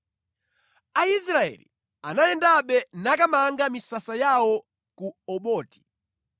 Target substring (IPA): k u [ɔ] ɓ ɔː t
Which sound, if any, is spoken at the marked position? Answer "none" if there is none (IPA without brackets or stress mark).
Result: ɔ